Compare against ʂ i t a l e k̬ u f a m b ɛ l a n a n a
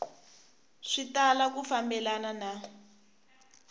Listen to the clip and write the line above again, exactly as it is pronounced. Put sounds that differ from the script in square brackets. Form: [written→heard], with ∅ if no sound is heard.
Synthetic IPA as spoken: ʂ i t a l [e→a] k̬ u f a m b ɛ l a n a n a